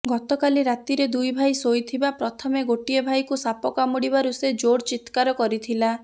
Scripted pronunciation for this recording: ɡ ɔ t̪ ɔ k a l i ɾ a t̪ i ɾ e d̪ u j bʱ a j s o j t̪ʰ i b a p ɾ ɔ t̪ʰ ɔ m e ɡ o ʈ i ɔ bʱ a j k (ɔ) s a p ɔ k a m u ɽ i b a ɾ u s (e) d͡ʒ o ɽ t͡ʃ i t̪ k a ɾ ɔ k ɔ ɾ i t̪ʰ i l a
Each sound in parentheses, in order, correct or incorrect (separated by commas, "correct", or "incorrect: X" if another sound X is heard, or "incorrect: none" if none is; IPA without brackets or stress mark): incorrect: u, correct